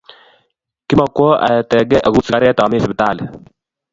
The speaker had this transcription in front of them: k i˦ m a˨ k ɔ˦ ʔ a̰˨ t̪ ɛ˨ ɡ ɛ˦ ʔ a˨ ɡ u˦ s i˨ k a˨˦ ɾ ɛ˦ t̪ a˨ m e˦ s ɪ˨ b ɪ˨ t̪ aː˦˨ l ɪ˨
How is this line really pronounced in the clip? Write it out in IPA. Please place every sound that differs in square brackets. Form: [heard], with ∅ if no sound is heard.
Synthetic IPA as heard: k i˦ m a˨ k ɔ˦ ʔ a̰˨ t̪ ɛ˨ ɡ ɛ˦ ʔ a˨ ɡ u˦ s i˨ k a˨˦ ɾ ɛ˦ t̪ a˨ m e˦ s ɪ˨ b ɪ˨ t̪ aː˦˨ l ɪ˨